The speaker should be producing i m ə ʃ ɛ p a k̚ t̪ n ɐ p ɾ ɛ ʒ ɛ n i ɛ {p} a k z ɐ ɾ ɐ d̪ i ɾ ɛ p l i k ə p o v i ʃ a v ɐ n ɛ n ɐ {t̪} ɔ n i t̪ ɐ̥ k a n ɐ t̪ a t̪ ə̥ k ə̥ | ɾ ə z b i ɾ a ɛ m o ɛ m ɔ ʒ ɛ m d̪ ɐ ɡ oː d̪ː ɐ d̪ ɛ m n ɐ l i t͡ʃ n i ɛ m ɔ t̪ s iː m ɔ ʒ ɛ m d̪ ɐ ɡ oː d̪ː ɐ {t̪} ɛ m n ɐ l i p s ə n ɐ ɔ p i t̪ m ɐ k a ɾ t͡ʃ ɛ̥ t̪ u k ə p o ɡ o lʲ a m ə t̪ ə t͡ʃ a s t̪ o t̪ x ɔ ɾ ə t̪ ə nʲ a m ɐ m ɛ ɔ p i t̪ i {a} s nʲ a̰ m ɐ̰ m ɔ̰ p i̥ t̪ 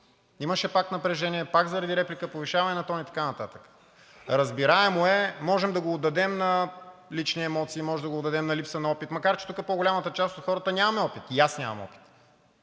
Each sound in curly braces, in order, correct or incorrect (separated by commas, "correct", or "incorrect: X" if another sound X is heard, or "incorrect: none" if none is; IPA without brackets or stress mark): correct, correct, incorrect: d̪, correct